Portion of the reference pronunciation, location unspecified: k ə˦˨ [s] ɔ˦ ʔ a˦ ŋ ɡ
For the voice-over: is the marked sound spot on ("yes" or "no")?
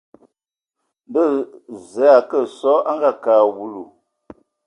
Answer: yes